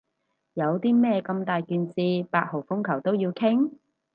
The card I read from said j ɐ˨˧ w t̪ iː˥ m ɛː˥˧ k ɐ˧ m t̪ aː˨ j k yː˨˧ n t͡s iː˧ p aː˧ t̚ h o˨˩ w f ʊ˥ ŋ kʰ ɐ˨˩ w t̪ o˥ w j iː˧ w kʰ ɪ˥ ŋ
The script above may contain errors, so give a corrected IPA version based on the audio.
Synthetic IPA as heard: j ɐ˨˧ w t̪ iː˥ m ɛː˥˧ k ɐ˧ m t̪ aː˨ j k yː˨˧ n t͡s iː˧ p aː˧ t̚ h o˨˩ w f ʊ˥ ŋ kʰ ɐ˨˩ w t̪ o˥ w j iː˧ w kʰ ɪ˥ ŋ

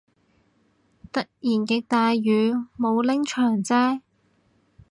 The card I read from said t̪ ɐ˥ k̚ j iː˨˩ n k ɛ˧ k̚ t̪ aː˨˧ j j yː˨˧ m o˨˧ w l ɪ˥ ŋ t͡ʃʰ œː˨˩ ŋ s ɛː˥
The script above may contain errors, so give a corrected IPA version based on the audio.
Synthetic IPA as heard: t̪ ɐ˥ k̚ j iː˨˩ n k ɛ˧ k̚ t̪ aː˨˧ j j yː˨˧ m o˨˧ w l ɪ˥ ŋ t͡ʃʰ œː˨˩ ŋ t͡s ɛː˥

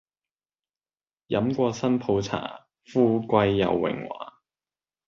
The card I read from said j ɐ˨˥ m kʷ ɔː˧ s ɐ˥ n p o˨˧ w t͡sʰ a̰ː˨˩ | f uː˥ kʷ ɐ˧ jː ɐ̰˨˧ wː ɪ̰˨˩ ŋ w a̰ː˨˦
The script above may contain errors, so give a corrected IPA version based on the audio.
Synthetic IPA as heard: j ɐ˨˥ m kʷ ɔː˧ s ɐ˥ n pʰ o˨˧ w t͡sʰ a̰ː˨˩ | f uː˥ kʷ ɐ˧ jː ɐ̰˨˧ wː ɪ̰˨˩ ŋ w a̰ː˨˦

